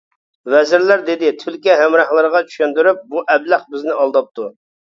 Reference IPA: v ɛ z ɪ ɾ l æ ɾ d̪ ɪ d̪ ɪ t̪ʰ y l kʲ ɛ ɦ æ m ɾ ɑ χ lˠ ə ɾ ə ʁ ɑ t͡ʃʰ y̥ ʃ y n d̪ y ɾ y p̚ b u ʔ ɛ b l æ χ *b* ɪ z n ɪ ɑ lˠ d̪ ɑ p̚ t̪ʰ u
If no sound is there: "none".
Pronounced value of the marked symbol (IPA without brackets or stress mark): b